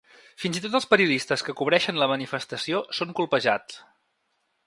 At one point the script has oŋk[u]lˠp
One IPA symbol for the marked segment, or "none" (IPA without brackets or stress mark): u